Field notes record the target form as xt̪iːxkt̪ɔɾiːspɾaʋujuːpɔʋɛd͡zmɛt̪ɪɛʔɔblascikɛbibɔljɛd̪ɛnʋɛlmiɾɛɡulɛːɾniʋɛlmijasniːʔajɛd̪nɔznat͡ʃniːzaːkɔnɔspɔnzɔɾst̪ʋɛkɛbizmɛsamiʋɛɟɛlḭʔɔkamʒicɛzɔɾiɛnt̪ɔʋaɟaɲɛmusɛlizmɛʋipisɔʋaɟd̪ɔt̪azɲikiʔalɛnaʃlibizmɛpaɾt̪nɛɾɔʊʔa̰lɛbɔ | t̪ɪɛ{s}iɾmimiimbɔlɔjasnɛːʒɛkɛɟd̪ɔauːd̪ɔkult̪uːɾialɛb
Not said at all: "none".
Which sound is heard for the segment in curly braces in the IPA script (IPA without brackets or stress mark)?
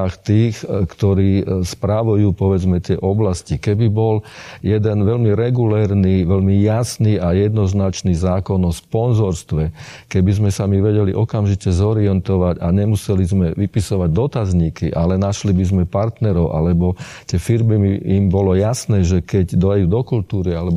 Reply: f